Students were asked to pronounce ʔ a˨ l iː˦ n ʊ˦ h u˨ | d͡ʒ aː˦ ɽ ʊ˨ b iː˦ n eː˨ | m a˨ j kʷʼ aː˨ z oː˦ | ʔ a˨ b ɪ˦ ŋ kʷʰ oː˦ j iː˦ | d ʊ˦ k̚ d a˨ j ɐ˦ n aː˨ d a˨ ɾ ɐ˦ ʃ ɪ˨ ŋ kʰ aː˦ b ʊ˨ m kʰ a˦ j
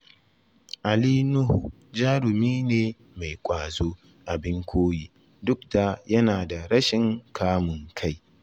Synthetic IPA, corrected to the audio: ʔ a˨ l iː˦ n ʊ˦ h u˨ | d͡ʒ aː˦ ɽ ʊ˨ m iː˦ n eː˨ | m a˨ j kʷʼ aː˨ z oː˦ | ʔ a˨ b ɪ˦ ŋ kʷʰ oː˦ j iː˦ | d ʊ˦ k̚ d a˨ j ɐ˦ n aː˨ d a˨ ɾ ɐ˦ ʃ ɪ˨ ŋ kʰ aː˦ m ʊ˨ ŋ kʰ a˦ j

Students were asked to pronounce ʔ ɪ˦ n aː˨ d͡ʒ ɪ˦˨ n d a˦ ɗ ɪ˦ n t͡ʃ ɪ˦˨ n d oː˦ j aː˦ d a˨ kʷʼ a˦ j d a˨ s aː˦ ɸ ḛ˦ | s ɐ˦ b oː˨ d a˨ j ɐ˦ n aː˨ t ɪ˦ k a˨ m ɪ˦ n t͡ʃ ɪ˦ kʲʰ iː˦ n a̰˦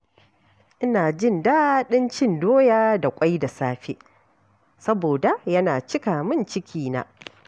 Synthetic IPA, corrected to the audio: ʔ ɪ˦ n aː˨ d͡ʒ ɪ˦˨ n d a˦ ɗ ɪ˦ n t͡ʃ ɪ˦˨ n d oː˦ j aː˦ d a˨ kʷʼ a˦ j d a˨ s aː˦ ɸ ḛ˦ | s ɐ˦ b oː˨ d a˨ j ɐ˦ n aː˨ t͡ʃ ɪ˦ k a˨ m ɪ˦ n t͡ʃ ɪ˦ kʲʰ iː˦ n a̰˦

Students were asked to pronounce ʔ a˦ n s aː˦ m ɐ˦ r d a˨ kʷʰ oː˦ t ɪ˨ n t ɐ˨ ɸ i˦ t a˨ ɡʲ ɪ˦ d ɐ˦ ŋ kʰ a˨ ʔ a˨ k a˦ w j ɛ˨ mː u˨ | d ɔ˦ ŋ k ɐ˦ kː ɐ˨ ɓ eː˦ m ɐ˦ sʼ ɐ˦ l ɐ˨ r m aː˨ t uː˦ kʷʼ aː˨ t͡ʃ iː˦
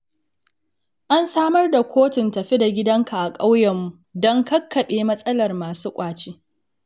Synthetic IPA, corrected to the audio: ʔ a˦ n s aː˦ m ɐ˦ r d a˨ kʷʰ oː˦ t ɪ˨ n t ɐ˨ ɸ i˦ d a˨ ɡʲ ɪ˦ d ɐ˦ ŋ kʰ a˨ ʔ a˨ kʼ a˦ w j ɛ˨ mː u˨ | d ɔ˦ ŋ k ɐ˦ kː ɐ˨ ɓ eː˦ m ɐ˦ sʼ ɐ˦ l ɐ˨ r m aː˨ s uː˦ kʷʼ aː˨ t͡ʃ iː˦

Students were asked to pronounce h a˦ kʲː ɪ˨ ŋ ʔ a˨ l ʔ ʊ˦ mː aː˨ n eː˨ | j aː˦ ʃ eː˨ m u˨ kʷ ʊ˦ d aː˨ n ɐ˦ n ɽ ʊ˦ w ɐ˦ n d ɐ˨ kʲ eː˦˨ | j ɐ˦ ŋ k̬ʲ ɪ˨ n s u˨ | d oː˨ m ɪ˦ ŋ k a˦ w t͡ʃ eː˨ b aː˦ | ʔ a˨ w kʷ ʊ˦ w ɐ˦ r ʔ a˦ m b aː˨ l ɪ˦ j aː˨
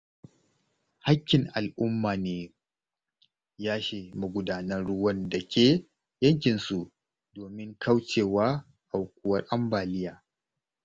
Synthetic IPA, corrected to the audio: h a˦ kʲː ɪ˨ ŋ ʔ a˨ l ʔ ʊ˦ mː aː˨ n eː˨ | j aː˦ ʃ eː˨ m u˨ ɡʷ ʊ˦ d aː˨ n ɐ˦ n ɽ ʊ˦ w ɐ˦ n d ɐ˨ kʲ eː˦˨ | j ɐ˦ ŋ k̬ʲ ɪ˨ n s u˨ | d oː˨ m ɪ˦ ŋ k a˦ w t͡ʃ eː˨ w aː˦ | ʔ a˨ w kʷ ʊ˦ w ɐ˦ r ʔ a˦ m b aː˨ l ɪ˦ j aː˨

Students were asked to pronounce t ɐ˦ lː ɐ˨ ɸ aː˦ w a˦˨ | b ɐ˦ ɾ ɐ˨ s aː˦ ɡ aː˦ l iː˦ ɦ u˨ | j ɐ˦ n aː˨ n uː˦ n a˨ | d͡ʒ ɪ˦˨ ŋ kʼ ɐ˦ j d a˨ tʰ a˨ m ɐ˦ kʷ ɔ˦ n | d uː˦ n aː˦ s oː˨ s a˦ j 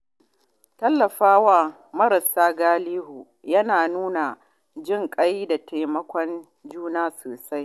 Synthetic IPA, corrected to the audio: t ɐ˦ lː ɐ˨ ɸ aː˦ w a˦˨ | m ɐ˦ ɾ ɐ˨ s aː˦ ɡ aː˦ l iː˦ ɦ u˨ | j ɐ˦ n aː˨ n uː˦ n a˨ | d͡ʒ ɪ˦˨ ŋ kʼ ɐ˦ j d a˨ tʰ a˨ m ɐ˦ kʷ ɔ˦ n | d͡ʒ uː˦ n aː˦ s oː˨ s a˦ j

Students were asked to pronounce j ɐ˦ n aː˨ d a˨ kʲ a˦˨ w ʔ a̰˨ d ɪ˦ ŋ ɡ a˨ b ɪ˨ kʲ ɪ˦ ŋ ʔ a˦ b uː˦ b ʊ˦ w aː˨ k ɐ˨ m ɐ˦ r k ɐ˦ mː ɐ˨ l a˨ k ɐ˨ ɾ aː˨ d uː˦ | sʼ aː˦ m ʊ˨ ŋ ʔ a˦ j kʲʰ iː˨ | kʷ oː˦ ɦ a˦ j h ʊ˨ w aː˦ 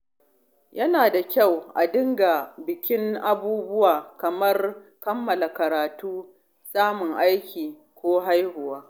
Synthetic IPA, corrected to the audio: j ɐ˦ n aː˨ d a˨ kʲ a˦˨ w ʔ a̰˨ d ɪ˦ ŋ ɡ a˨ b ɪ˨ kʲ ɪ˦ ŋ ʔ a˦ b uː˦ b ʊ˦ w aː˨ k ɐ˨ m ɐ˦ r k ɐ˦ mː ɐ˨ l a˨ k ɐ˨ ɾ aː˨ t uː˦ | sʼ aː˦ m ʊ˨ ŋ ʔ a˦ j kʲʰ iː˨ | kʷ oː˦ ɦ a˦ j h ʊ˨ w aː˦

